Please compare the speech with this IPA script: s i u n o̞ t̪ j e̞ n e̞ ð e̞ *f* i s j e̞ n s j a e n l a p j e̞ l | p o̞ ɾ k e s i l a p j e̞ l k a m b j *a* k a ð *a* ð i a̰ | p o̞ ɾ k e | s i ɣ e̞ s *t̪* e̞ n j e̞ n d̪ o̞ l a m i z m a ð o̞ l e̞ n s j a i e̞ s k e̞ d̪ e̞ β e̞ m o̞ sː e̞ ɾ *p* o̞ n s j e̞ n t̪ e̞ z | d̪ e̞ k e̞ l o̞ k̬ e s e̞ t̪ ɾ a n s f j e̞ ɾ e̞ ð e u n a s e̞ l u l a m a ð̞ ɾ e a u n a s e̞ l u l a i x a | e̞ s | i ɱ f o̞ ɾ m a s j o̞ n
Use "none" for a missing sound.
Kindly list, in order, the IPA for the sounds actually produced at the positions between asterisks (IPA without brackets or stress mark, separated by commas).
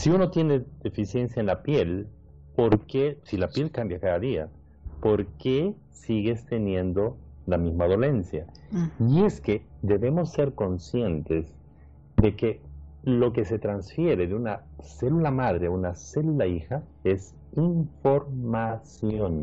f, a, a, t̪, k